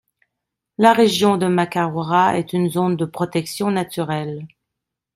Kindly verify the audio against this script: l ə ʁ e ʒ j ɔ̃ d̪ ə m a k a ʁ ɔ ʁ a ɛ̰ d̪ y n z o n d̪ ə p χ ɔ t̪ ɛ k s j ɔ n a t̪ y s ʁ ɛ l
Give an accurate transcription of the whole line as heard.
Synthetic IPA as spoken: l a ʁ e ʒ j ɔ̃ d̪ ə m a k a ʁ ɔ ʁ a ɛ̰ t̪ y n z o n d̪ ə p χ ɔ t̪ ɛ k s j ɔ̃ n a t̪ y ʁ ɛ l